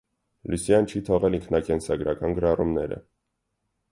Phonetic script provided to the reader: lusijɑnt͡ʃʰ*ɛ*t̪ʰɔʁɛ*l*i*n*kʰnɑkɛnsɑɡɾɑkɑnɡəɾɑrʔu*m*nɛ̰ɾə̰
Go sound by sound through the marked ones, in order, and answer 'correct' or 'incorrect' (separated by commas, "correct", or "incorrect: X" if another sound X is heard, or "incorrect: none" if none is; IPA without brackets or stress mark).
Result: incorrect: i, correct, incorrect: ŋ, correct